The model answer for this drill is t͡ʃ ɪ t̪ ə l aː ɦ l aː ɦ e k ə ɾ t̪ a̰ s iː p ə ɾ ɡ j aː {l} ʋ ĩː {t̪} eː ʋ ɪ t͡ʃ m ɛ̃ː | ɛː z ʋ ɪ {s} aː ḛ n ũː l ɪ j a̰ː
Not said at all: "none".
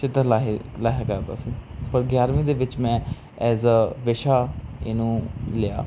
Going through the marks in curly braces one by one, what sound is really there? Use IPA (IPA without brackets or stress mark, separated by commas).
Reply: ɾ, d̪, ʃ